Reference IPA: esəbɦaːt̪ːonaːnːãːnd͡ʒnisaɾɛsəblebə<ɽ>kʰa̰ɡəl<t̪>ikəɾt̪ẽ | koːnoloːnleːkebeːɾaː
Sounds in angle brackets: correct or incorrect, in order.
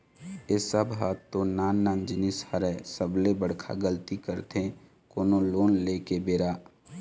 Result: correct, correct

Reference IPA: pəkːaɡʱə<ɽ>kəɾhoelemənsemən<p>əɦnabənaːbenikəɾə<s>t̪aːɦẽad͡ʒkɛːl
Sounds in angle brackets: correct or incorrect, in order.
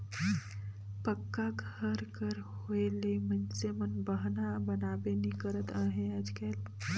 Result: incorrect: ɾ, incorrect: b, incorrect: none

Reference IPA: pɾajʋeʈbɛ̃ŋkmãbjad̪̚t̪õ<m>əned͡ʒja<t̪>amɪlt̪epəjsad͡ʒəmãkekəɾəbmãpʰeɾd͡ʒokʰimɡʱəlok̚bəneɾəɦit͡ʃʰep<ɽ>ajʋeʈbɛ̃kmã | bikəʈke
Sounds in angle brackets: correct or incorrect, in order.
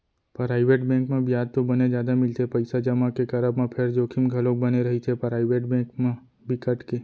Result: incorrect: b, incorrect: d̪, incorrect: ɾ

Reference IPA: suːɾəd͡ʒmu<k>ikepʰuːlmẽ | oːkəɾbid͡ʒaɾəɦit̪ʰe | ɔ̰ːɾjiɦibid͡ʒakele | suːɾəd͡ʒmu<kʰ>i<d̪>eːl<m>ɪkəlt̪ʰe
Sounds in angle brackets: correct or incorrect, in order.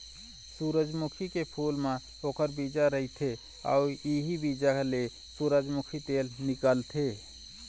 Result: incorrect: kʰ, correct, incorrect: t̪, incorrect: n

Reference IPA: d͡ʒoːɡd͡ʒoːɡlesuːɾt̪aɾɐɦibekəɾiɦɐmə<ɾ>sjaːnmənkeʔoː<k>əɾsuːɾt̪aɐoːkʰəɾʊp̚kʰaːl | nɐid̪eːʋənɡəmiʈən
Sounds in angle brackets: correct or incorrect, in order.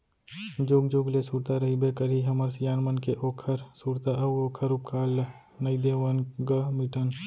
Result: correct, incorrect: kʰ

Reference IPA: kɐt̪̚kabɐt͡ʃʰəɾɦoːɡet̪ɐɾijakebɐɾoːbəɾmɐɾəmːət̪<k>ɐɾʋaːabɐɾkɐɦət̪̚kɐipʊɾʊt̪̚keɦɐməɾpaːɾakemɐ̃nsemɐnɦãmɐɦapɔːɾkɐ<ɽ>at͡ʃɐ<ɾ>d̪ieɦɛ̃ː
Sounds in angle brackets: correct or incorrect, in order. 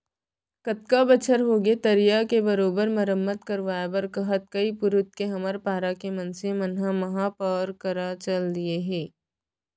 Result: correct, incorrect: ɾ, incorrect: l

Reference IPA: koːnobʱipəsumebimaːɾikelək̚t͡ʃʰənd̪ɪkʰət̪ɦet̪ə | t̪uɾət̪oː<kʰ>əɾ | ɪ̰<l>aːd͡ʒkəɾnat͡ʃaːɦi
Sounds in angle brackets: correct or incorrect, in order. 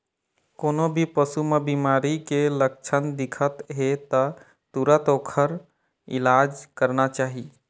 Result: correct, correct

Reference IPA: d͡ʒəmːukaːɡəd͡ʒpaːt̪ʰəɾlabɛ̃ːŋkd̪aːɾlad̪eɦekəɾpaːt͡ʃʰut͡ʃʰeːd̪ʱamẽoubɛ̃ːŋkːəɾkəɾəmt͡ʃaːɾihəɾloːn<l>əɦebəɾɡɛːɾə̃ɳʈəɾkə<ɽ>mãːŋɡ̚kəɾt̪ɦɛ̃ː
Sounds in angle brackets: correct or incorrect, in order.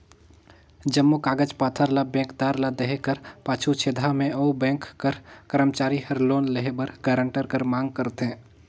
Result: correct, incorrect: ɾ

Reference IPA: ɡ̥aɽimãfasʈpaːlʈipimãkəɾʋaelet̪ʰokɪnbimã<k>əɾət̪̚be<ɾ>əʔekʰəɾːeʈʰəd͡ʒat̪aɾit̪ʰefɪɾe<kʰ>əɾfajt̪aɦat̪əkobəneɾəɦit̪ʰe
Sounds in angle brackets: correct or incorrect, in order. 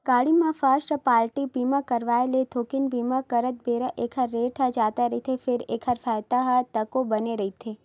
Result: correct, correct, correct

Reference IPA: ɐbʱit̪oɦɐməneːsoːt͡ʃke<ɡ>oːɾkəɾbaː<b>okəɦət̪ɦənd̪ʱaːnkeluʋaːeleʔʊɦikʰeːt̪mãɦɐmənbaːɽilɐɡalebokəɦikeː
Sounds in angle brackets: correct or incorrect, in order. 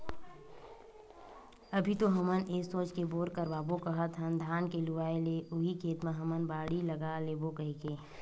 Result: incorrect: b, correct

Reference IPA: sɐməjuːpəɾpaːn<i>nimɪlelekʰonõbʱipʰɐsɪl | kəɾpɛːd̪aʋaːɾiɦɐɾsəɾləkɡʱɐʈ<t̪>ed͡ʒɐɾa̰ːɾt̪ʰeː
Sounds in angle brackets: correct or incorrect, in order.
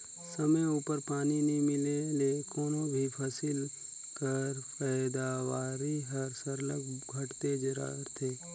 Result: correct, correct

